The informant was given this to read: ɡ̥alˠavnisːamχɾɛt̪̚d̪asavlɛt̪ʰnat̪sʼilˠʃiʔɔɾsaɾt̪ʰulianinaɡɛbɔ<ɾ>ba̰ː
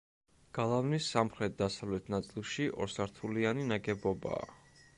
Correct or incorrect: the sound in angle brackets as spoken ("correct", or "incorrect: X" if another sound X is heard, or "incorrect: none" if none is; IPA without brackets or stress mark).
incorrect: none